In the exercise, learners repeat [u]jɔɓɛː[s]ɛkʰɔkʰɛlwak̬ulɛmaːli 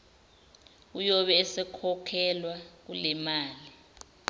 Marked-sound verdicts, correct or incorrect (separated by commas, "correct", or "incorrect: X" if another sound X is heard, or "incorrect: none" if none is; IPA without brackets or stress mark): correct, correct